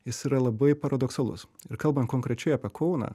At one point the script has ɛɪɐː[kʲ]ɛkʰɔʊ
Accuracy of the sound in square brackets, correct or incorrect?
incorrect